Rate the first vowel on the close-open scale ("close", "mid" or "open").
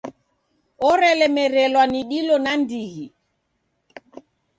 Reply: mid